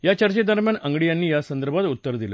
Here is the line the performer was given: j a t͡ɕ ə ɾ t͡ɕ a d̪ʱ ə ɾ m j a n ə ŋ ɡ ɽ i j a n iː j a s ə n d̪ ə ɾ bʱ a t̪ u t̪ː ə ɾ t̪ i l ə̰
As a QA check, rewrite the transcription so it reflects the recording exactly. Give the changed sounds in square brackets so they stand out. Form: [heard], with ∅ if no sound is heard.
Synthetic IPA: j a t͡ɕ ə ɾ t͡ɕ [e] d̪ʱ ə ɾ m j a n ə ŋ ɡ ɽ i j a [nː] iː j a s ə n d̪ ə ɾ bʱ a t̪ u t̪ː ə ɾ [d̪] i l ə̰